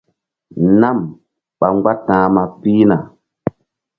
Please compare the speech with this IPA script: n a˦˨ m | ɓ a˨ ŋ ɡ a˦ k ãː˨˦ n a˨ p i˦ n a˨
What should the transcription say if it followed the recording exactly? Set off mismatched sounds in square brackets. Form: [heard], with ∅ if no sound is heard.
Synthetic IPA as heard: n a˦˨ m | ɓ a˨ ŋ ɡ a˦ [t] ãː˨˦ [m] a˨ p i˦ n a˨

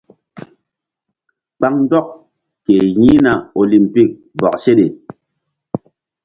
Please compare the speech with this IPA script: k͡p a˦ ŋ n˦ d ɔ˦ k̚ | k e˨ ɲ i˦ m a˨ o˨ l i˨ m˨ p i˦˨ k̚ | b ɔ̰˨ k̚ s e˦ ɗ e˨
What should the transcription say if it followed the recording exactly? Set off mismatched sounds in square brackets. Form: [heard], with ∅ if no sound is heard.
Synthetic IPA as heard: k͡p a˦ ŋ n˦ d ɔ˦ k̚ | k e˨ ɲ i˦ [n] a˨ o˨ l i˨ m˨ p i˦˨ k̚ | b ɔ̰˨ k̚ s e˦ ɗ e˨

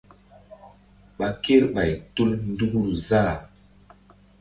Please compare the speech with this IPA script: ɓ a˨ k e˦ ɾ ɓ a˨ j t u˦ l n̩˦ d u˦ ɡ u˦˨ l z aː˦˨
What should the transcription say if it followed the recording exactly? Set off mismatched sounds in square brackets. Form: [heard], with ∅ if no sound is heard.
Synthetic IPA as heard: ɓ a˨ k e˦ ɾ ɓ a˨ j t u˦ l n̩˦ d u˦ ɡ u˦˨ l z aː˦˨

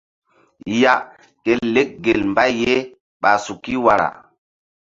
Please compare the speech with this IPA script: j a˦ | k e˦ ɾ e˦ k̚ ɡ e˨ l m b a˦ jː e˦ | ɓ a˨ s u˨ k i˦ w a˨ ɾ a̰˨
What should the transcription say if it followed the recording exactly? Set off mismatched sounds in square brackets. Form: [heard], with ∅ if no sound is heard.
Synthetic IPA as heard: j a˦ | k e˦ [l] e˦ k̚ ɡ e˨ l m b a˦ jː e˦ | ɓ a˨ s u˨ k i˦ w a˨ ɾ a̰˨

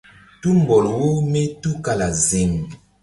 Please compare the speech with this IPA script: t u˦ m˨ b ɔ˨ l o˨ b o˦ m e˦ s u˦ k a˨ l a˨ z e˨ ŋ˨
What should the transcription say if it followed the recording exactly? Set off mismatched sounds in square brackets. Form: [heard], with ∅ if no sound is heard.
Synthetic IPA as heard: t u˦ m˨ b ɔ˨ l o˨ [w] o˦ m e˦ [t] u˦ k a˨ l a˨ z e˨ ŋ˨

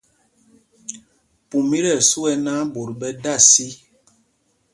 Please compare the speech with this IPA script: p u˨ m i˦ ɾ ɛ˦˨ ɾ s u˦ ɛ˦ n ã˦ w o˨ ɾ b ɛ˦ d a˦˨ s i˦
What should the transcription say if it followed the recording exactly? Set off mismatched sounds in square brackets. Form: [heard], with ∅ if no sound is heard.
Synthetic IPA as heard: p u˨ m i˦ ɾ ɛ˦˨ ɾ s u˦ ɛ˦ n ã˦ [b] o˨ ɾ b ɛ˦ d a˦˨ s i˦

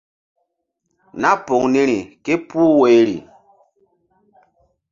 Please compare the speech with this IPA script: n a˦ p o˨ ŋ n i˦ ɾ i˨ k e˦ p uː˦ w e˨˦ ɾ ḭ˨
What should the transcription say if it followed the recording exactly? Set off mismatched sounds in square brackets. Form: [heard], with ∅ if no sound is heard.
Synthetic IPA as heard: n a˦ p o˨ ŋ n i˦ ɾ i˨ k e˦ p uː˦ w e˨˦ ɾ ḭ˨

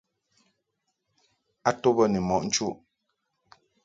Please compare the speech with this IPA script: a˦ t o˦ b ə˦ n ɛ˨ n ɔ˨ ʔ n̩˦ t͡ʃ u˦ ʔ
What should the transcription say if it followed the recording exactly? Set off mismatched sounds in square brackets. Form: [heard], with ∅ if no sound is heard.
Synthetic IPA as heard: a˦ t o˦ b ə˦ n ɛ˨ [m] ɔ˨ ʔ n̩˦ t͡ʃ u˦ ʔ

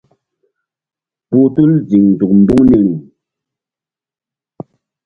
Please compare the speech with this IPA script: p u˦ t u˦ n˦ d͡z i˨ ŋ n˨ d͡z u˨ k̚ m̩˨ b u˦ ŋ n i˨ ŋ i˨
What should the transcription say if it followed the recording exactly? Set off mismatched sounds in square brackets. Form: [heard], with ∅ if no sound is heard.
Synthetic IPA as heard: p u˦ t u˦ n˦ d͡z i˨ ŋ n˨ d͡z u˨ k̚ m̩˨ b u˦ ŋ n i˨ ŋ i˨

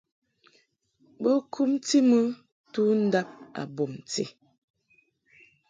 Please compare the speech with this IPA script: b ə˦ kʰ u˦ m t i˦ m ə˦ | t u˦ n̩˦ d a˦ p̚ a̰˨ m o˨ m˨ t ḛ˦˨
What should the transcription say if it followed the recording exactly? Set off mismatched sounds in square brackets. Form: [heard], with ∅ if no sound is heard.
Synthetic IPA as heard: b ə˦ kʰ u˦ m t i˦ m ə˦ | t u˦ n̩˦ d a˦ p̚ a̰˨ [b] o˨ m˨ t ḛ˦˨

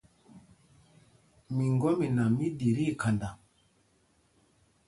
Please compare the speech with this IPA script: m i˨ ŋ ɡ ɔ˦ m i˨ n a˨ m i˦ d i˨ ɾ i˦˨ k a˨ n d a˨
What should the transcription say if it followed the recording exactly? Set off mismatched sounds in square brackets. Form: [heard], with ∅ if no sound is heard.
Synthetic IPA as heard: m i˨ ŋ ɡ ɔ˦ m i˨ n a˨ m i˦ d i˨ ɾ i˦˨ k a˨ n d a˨

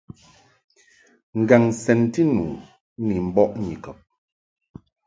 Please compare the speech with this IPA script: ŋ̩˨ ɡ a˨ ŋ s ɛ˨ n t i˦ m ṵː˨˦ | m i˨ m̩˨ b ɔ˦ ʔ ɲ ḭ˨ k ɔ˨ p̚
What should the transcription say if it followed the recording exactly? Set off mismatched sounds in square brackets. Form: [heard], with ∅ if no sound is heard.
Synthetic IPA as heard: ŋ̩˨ ɡ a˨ ŋ s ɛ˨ n t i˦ [n] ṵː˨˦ | [n] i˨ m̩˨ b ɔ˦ ʔ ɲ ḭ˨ k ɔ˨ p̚

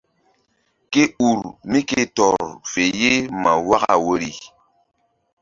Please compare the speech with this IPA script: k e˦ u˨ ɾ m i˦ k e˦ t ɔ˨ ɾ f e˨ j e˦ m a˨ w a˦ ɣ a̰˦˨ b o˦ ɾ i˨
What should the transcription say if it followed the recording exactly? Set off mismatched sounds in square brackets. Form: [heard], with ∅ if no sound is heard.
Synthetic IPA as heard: k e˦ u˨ ɾ m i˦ k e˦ t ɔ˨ ɾ f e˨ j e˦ m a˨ w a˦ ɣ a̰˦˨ [w] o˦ ɾ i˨

